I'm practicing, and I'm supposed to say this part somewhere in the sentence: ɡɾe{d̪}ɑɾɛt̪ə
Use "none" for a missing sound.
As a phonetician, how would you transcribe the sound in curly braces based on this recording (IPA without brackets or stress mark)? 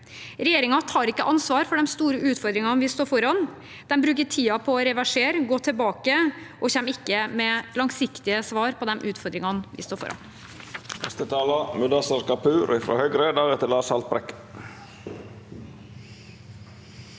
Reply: d̪